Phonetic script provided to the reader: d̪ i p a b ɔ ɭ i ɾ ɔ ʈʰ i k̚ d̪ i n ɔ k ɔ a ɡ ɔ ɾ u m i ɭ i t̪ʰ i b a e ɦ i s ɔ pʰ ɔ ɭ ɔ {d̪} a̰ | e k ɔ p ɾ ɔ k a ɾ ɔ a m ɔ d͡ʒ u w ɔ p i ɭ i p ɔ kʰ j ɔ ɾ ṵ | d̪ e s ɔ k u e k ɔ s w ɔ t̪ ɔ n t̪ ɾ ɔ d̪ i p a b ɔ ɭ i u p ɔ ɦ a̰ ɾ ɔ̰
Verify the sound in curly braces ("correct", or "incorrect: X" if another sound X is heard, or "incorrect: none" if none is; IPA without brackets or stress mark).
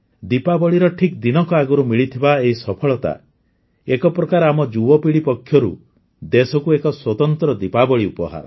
incorrect: t̪